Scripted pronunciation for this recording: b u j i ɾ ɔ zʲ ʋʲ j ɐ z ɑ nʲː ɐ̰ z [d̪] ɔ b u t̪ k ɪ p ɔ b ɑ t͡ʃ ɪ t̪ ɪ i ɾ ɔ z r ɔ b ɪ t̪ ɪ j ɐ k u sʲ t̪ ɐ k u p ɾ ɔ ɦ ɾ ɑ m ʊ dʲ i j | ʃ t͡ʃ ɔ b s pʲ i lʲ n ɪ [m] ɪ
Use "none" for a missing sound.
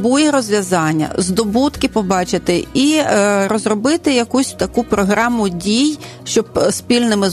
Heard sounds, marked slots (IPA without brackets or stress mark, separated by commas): d̪, m